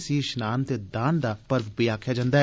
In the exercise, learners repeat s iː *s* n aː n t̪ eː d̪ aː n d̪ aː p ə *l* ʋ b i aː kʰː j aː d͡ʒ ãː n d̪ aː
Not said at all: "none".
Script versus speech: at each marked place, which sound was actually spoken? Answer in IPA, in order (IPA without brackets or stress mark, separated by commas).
ʃ, ɾ